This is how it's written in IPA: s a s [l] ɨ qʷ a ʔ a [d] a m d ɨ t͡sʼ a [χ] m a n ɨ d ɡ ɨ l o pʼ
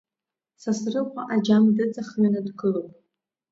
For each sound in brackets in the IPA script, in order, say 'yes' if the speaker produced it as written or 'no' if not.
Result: no, no, yes

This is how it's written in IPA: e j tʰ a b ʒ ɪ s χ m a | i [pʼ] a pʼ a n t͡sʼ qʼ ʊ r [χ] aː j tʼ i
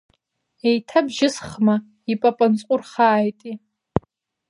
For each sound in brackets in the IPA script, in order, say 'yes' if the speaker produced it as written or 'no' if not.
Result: yes, yes

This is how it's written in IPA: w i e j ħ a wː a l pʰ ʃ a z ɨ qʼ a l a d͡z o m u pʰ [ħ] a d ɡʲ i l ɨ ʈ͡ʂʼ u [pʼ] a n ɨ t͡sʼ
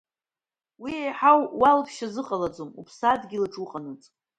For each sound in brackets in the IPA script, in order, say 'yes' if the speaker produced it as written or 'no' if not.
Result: no, no

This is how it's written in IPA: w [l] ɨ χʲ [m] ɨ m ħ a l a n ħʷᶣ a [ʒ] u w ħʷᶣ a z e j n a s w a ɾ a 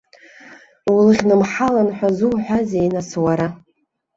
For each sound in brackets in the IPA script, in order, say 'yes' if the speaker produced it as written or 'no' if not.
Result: yes, no, no

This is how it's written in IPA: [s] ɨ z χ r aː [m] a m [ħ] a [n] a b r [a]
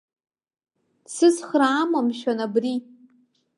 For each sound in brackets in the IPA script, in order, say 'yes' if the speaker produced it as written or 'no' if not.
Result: yes, yes, no, yes, no

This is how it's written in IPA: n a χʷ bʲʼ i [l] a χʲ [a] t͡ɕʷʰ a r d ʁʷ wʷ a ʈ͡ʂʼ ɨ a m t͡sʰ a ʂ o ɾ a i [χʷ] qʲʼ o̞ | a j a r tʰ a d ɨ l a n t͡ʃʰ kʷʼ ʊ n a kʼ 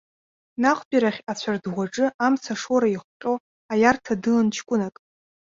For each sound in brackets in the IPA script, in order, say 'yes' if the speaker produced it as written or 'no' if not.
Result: no, yes, yes

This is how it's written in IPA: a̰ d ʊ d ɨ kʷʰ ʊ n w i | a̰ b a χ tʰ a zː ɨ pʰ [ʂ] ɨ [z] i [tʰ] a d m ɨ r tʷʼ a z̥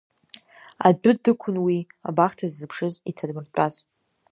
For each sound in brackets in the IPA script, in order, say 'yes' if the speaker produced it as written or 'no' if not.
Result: yes, yes, yes

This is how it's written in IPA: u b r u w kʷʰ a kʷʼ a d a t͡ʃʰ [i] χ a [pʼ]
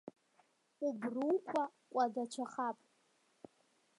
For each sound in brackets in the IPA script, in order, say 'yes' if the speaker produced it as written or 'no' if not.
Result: no, yes

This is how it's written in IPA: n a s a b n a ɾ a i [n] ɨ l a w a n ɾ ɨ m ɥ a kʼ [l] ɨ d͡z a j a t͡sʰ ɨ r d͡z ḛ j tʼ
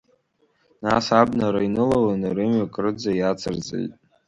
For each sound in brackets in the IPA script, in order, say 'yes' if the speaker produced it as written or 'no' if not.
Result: yes, no

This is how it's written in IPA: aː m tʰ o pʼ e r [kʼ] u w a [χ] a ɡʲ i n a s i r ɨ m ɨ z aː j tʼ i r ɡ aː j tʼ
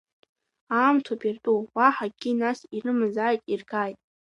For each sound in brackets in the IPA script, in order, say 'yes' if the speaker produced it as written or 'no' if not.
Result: no, no

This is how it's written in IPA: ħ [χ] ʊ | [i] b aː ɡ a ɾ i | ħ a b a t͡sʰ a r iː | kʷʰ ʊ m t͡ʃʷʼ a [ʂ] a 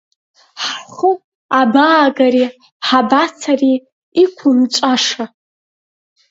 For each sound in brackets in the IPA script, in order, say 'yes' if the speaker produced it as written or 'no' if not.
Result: yes, no, yes

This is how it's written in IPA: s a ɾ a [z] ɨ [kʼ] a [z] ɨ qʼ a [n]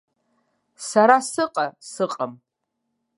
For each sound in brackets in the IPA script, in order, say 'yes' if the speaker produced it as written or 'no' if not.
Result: no, no, no, no

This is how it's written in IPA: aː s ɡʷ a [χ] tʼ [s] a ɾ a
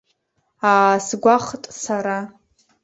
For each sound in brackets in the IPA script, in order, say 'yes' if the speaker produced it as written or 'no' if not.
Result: yes, yes

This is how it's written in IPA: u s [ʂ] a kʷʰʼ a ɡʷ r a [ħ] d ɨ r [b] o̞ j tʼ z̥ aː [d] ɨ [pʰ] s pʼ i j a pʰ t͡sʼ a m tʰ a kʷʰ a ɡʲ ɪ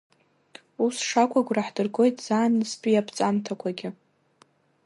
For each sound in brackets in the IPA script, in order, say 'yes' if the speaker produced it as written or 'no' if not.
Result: yes, yes, no, no, no

